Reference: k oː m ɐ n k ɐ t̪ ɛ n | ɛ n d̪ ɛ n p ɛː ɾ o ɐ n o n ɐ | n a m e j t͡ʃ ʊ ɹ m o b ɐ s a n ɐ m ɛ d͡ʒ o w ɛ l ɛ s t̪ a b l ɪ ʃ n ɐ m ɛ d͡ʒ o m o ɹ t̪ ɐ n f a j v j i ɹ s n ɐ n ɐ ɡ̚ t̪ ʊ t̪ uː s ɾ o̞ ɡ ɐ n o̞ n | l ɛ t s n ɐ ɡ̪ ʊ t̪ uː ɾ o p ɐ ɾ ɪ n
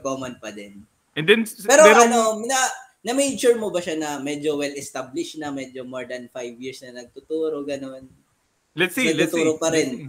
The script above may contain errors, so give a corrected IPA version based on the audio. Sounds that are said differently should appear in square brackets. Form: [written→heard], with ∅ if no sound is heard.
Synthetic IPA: k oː m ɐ n [k→p] ɐ [t̪→d̪] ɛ n | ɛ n d̪ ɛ n p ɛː ɾ o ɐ n o n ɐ | n [a→ɐ] m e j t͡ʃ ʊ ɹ m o b ɐ [s→ʃ] a n ɐ m ɛ d͡ʒ o w ɛ l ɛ s t̪ a b l ɪ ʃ n ɐ m ɛ d͡ʒ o m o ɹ [t̪→d̪] ɐ n f a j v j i ɹ s n ɐ n ɐ ɡ̚ t̪ ʊ t̪ uː [s→∅] ɾ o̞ ɡ ɐ n o̞ n | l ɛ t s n ɐ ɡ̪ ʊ t̪ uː ɾ o p ɐ ɾ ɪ n